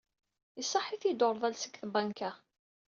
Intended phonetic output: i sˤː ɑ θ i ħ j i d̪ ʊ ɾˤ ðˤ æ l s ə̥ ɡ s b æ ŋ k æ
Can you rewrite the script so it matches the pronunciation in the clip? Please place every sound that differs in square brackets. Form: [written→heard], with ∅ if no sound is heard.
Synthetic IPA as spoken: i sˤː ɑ [θ→ħ] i [ħ→θ] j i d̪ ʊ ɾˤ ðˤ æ l s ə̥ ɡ [s→θ] b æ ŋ k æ

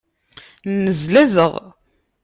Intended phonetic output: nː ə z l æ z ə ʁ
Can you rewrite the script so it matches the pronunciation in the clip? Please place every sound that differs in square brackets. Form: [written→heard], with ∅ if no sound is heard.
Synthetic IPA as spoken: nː ə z l æ z ə ʁ

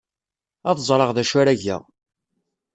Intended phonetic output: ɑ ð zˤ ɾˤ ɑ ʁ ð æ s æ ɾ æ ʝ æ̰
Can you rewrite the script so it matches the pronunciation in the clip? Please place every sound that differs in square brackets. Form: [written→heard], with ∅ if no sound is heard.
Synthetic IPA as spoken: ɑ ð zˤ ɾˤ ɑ ʁ ð æ [s→ʃ] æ ɾ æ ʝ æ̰

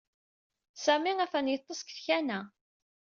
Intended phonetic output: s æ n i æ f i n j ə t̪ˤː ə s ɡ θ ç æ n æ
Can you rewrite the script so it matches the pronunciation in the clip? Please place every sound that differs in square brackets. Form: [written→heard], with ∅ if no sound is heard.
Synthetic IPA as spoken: s æ [n→m] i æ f [i→æ] n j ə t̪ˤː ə s [ɡ→k] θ ç æ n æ

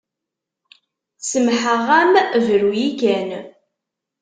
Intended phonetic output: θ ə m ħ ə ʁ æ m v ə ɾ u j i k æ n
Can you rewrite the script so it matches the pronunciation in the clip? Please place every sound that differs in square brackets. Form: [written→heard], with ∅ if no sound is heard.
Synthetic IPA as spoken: [θ→s] ə m ħ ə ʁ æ m v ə ɾ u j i k æ n

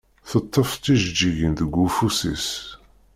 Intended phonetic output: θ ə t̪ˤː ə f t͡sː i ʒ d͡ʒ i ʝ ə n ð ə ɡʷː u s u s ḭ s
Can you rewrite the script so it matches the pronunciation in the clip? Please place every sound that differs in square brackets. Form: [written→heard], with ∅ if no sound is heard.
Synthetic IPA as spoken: θ ə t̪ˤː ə f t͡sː i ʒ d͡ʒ i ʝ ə n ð ə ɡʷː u [s→f] u s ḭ s

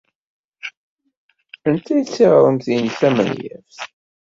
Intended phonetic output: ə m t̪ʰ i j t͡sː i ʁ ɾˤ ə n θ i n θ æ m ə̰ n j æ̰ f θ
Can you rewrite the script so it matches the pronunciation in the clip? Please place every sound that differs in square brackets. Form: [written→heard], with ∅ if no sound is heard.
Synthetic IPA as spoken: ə [m→n] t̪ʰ [i→æ] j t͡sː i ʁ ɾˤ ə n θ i n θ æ m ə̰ n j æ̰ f θ

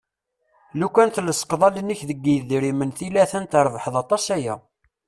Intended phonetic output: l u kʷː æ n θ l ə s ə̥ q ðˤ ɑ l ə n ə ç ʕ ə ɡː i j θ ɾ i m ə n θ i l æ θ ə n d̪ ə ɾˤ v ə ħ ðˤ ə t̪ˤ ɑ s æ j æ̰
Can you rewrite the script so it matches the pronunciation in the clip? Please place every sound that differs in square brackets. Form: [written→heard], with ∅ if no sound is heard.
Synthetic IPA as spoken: l u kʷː æ n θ l ə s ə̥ q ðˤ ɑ l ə n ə ç [ʕ→ð] ə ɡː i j [θ→ð] ɾ i m ə n θ i l æ θ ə n [d̪→t̪] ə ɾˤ v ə ħ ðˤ [ə→ɑ] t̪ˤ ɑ s æ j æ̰

